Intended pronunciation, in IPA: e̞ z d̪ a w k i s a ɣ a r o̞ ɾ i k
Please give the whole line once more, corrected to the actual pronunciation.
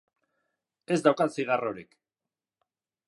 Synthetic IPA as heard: e̞ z d̪ a w k a s i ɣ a r o̞ ɾ i k